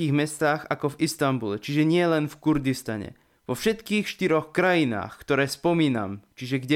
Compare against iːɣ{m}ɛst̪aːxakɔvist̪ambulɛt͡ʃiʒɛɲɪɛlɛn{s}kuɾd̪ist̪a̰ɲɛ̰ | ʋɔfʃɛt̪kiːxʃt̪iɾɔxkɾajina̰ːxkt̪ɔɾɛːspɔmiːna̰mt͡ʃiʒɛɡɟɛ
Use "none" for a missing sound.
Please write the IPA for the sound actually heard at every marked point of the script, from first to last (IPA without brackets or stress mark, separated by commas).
m, f